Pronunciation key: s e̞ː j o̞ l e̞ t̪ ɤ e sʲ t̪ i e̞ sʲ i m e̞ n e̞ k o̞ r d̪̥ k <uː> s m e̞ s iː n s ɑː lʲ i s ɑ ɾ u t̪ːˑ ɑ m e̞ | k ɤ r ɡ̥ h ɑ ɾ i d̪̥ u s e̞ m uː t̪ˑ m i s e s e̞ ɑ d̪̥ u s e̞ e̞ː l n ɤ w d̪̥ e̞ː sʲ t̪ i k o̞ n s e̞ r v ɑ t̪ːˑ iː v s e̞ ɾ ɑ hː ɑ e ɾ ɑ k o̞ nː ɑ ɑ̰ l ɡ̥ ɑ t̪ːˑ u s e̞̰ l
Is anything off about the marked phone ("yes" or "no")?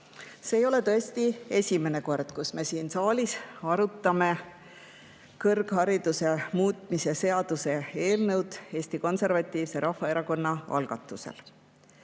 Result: yes